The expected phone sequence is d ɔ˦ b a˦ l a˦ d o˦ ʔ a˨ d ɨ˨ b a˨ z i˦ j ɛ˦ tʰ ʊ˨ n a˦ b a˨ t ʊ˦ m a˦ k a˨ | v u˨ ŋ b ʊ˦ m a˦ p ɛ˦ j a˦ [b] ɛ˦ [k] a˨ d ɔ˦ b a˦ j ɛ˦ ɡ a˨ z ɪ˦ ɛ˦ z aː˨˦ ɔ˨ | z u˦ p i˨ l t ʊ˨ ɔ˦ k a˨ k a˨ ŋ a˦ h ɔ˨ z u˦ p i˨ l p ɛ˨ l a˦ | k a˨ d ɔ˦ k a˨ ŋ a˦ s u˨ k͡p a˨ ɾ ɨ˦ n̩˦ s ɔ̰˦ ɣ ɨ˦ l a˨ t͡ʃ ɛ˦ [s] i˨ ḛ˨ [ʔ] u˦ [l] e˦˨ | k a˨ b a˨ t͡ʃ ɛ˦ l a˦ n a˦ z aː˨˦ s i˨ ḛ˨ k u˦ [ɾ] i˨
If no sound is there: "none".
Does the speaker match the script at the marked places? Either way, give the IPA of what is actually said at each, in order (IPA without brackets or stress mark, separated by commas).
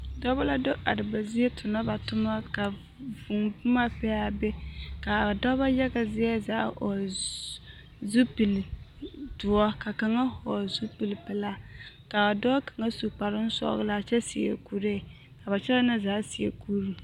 b, k, s, k, ɾ, ɾ